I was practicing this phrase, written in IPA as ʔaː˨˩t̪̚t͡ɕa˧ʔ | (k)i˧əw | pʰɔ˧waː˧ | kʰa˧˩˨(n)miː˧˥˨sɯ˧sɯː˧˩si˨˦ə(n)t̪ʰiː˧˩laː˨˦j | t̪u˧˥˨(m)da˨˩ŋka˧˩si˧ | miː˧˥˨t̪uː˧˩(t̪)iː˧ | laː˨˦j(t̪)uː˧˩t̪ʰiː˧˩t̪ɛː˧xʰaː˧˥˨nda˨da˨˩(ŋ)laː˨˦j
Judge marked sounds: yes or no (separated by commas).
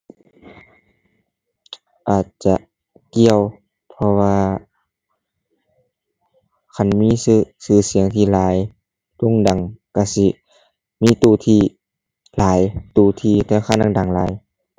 yes, yes, no, no, no, yes, yes